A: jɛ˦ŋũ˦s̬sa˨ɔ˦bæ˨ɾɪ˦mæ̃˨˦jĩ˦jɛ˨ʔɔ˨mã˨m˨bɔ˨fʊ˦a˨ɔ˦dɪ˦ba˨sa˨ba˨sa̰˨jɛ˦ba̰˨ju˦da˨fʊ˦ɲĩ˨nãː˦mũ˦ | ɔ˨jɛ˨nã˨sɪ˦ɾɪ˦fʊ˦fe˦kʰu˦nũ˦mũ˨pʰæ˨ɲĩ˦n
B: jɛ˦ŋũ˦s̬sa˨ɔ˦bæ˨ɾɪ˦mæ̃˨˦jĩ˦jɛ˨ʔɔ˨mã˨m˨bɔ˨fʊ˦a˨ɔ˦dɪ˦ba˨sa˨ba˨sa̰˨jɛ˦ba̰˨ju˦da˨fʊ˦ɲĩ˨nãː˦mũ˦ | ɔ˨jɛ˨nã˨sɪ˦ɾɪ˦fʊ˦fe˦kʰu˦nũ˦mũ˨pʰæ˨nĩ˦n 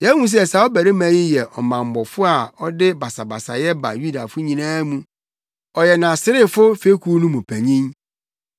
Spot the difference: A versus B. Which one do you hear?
A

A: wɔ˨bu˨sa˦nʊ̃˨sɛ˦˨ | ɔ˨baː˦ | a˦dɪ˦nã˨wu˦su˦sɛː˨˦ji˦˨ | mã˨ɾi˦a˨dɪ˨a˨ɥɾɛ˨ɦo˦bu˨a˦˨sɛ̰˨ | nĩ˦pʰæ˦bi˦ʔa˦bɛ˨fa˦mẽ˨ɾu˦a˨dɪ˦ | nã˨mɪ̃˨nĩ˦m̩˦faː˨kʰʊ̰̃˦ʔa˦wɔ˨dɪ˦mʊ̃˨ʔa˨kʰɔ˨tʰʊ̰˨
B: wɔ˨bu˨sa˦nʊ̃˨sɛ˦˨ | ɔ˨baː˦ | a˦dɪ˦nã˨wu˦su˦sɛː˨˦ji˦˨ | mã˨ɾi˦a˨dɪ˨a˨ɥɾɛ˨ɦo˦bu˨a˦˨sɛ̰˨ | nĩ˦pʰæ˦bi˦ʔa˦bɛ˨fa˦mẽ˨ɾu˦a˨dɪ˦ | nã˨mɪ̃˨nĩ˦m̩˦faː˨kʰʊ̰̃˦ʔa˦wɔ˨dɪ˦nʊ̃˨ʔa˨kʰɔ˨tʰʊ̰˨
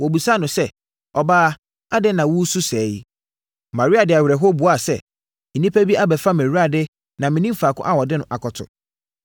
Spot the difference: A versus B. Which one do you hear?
B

